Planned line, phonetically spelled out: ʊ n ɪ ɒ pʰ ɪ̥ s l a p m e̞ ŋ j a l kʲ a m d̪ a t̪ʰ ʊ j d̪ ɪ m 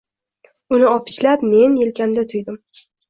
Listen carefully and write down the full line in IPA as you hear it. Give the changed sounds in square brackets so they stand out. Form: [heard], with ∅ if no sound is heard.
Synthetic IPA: ʊ n ɪ ɒ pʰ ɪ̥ [ʃ] l a p m e̞ [n] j [e] l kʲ a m d̪ a t̪ʰ ʊ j d̪ ɪ m